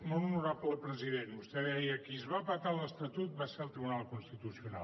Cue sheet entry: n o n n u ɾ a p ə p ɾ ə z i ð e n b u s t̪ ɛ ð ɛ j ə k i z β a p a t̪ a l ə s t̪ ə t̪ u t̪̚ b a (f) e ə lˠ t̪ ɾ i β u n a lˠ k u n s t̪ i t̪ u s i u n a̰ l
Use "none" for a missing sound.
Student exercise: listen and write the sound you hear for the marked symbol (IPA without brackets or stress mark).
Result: s